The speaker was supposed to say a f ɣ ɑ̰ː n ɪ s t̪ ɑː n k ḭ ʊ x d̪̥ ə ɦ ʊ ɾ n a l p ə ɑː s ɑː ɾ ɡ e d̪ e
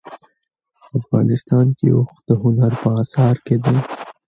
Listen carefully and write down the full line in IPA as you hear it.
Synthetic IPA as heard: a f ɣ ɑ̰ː n ɪ s t̪ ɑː n k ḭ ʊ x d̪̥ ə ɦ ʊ n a ɾ p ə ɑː s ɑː ɾ k e d̪ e